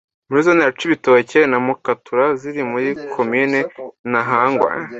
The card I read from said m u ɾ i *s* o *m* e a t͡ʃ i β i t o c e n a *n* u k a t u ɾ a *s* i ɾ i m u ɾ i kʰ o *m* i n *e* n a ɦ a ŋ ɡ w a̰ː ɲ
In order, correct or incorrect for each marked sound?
incorrect: z, incorrect: n, incorrect: m, incorrect: z, correct, correct

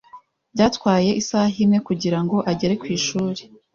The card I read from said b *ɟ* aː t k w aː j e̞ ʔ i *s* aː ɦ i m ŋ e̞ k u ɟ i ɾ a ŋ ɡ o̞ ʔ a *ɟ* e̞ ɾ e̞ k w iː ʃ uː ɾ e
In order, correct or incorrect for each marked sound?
correct, correct, correct

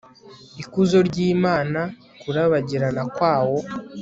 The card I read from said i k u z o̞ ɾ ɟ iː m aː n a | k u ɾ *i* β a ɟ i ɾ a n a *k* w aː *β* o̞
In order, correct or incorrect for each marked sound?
incorrect: a, correct, incorrect: w

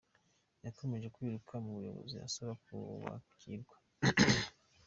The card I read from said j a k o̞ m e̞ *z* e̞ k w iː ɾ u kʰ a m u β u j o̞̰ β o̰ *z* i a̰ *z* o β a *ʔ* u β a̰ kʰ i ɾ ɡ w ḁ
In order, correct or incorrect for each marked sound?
incorrect: ʒ, correct, incorrect: s, incorrect: k

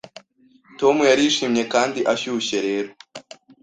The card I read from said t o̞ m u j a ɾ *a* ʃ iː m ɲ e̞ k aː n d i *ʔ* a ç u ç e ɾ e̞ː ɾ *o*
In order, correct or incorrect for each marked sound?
incorrect: i, correct, correct

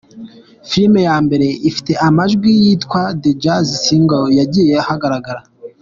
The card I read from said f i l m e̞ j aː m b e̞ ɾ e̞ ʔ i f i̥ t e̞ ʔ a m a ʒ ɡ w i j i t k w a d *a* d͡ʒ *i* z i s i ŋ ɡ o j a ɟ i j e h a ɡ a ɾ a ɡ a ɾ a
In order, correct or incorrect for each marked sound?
incorrect: e, incorrect: a

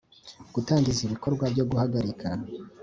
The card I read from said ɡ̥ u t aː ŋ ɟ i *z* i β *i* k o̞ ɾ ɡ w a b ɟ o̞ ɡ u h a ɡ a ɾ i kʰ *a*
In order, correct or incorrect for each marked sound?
correct, correct, correct

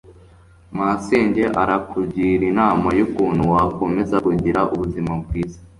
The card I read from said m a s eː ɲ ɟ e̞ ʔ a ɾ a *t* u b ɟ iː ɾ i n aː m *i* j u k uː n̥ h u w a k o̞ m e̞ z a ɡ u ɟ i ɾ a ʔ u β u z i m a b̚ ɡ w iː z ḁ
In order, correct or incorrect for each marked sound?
incorrect: k, incorrect: a

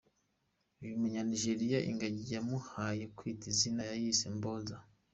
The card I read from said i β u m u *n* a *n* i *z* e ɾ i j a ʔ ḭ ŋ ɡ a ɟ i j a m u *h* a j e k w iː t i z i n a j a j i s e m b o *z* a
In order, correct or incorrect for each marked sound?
incorrect: ɲ, correct, incorrect: ʒ, correct, correct

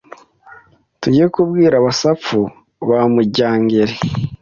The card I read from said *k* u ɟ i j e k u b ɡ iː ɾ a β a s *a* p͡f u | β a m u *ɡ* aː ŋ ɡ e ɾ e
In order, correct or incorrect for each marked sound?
incorrect: t, correct, incorrect: ɟ

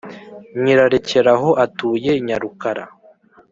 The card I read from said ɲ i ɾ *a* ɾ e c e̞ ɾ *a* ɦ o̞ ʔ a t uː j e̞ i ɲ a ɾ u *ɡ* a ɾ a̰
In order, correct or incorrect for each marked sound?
correct, correct, incorrect: k

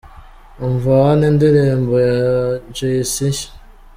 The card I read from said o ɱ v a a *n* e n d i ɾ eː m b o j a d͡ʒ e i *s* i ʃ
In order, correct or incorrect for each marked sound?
correct, correct

